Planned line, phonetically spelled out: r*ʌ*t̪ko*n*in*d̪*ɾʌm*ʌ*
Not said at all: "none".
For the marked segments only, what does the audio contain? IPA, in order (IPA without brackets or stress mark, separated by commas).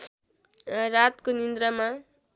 a, n, d̪, a